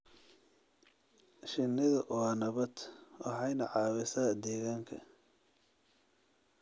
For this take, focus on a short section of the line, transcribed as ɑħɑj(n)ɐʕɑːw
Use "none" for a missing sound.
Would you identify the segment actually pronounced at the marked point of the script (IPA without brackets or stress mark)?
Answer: n